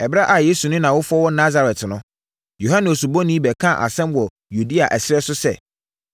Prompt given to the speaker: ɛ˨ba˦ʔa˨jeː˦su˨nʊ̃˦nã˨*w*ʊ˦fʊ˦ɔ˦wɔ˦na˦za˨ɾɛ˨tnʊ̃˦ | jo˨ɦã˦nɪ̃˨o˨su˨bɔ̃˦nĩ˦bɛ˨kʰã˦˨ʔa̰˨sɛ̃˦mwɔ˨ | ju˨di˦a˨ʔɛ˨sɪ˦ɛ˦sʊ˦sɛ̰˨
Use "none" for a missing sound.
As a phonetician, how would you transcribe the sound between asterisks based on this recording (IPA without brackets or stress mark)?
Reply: w